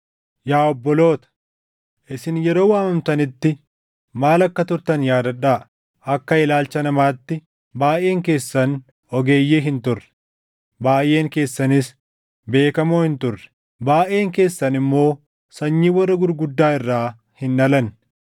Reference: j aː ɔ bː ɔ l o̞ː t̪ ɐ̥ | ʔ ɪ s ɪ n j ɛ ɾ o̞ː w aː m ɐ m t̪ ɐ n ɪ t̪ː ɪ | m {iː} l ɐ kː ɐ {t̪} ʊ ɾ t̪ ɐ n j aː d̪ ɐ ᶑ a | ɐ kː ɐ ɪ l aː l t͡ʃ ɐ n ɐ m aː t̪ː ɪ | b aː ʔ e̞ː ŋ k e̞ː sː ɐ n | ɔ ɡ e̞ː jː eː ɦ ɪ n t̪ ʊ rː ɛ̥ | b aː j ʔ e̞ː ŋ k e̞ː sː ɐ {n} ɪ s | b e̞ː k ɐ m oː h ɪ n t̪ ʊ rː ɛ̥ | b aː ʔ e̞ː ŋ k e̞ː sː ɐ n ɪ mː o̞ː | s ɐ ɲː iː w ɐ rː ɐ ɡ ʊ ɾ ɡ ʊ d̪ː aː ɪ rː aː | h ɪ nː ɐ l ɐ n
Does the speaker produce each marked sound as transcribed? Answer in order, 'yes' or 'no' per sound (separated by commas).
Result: no, yes, yes